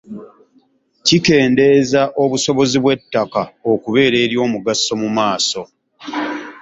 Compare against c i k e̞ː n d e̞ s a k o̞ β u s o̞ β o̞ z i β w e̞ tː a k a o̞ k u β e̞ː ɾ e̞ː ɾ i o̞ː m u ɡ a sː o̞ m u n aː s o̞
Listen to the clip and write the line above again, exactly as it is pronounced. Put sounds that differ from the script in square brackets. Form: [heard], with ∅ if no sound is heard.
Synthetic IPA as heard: c i k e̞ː n d e̞ [z] a [ʔ] o̞ β u s o̞ β o̞ z i β w e̞ tː a k a o̞ k u β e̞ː ɾ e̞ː ɾ [j] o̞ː m u ɡ a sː o̞ m u [m] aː s o̞